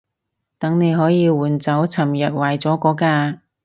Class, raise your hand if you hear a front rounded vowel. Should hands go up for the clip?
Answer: no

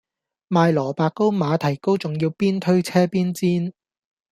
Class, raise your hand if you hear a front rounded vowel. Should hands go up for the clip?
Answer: no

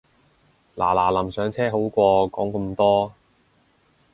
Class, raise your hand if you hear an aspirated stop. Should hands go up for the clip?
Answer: yes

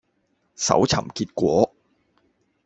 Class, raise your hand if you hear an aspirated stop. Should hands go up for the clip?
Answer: yes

